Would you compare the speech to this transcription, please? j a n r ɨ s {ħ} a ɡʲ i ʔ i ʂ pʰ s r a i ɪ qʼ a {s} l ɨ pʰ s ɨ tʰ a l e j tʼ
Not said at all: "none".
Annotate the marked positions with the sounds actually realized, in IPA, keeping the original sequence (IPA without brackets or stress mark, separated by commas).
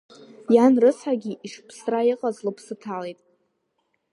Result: ħ, z